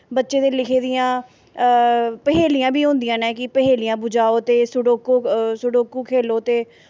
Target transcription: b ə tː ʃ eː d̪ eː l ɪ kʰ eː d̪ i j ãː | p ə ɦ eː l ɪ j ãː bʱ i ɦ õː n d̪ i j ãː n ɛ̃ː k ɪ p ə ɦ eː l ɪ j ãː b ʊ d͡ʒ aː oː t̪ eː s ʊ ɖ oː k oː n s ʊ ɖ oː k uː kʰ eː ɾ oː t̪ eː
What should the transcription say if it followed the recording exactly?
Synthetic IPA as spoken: b ə tː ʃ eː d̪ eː l ɪ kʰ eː d̪ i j ãː | p ə ɦ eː l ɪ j ãː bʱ iː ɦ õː n d̪ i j ãː n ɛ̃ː k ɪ p ə ɦ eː l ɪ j ãː b ʊ d͡ʒ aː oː t̪ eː s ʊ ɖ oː k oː s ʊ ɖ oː k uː kʰ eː l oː t̪ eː